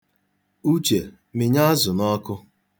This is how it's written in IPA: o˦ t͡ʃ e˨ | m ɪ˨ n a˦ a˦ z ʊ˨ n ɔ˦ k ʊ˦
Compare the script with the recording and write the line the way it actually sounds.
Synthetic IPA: u˦ t͡ʃ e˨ | m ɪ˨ ɲ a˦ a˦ z ʊ˨ n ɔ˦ k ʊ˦